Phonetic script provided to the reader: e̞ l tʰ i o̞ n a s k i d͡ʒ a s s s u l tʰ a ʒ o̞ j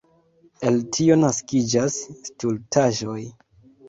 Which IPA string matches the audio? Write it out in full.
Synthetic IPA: e̞ l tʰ i o̞ n a s k i d͡ʒ a s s t u l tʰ a ʒ o̞ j